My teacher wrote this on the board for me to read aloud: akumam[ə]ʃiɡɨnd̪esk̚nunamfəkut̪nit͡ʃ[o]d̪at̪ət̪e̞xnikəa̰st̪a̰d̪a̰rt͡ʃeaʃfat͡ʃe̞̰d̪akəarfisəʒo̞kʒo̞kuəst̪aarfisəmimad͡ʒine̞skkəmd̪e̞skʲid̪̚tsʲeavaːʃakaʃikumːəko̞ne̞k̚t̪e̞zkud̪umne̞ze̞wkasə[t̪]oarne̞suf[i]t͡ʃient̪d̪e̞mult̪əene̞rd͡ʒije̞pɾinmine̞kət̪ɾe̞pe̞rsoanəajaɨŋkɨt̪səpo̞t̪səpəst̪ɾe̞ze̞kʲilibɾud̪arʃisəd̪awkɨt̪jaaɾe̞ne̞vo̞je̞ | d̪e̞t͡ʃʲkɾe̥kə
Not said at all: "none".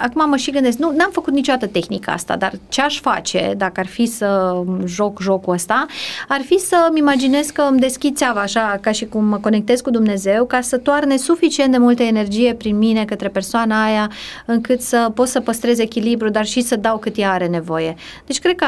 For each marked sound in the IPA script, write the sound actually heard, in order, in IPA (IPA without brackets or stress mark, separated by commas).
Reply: ə, o, t̪, i